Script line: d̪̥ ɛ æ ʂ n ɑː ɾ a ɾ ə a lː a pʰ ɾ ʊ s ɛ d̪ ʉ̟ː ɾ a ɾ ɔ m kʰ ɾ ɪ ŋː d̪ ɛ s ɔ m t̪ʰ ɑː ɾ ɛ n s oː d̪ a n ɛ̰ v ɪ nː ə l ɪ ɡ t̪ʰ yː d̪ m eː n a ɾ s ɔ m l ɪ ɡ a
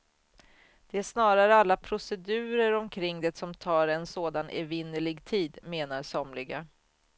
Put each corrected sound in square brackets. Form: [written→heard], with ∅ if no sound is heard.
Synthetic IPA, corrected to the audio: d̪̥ ɛ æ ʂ n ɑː ɾ a ɾ ə a lː a pʰ ɾ ʊ s ɛ d̪ ʉ̟ː ɾ [a→ə] ɾ ɔ m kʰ ɾ ɪ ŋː d̪ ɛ s ɔ m t̪ʰ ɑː ɾ ɛ n s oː d̪ a n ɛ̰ v ɪ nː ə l ɪ ɡ t̪ʰ [yː→iː] d̪ m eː n a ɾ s ɔ m l ɪ ɡ a